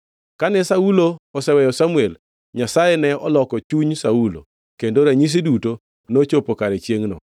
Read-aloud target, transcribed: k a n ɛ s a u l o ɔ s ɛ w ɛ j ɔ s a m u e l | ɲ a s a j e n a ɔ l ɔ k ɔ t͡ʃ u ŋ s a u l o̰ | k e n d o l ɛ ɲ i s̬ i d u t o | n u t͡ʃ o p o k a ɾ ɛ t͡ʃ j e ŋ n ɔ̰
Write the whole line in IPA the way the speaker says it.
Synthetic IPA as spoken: k a n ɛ s a u l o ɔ s ɛ w ɛ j ɔ s a m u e l | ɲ a s a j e n ɛ ɔ l ɔ k ɔ t͡ʃ u ɲ s a u l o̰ | k e n d o ɾ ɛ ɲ i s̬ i d u t o | n o t͡ʃ o p o k a ɾ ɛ t͡ʃ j e ŋ n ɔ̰